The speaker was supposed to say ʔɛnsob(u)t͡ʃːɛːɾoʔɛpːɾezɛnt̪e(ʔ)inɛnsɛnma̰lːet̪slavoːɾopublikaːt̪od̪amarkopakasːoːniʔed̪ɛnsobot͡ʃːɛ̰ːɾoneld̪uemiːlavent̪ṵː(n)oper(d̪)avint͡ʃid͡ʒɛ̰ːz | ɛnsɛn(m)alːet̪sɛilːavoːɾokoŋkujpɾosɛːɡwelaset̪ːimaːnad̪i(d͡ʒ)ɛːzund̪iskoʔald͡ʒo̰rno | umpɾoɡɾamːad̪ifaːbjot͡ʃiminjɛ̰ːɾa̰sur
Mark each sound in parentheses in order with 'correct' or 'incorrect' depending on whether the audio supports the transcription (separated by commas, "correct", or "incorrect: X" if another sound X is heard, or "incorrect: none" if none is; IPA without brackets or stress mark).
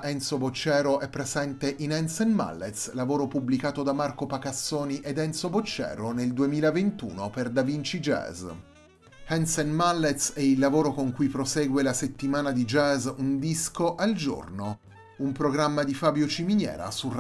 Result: incorrect: o, correct, correct, correct, correct, correct